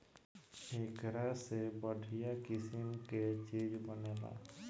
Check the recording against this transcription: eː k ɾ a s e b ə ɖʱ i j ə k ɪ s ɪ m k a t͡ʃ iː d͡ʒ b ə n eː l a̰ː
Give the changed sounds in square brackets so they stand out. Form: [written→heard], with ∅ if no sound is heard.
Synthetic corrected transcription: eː k ɾ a s e b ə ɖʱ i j [ə→a] k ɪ s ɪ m k [a→e] t͡ʃ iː d͡ʒ b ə n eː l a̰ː